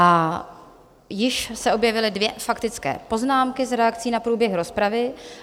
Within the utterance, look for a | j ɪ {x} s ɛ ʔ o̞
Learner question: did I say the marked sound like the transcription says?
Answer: no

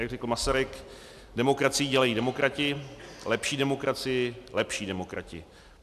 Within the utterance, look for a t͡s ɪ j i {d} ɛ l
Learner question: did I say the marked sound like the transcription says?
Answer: no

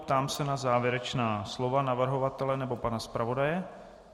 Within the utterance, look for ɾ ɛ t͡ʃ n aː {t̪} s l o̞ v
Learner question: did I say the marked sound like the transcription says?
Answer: no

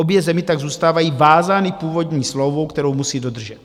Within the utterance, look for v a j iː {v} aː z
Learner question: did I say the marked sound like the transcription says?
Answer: yes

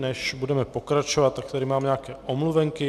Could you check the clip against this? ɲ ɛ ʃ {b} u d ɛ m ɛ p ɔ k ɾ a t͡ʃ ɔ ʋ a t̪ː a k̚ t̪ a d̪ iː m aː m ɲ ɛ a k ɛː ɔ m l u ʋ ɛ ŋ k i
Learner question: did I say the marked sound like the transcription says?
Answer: yes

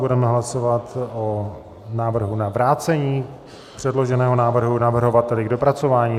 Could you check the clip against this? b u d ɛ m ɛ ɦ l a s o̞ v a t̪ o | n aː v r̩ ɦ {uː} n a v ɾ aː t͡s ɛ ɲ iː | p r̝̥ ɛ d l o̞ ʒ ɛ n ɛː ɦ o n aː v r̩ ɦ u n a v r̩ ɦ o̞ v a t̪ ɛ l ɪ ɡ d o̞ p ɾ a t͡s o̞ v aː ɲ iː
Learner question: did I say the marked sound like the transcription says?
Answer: no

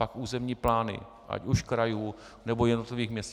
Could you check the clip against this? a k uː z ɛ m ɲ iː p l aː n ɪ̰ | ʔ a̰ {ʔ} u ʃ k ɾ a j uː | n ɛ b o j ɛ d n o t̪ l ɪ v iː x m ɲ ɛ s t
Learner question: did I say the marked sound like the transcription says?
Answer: no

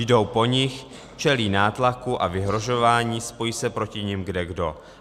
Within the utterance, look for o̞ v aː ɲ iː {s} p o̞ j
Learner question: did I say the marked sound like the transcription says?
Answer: yes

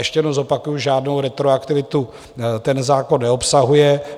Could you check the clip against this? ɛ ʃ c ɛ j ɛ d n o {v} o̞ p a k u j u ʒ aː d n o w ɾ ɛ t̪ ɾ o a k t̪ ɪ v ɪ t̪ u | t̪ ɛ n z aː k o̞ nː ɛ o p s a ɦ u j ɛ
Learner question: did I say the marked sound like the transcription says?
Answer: no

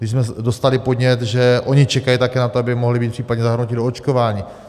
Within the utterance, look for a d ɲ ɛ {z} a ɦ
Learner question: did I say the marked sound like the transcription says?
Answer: yes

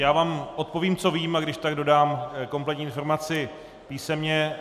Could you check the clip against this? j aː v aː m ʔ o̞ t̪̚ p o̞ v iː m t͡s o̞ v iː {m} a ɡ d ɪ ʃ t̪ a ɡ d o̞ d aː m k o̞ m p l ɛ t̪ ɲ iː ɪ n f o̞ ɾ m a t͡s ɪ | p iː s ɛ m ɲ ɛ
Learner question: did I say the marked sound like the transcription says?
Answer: yes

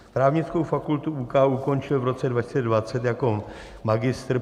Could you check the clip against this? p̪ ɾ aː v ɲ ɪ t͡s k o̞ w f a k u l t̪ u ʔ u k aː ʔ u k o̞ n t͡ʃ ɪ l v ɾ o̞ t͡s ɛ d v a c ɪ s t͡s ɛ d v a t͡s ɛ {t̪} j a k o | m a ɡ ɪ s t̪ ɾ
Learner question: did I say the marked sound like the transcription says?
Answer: yes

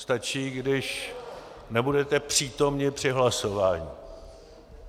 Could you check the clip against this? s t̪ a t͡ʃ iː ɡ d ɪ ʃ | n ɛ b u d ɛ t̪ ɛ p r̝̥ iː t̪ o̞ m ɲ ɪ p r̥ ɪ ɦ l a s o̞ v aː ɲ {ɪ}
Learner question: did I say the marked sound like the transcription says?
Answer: no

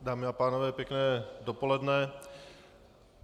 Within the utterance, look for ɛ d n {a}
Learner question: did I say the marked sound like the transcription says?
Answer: no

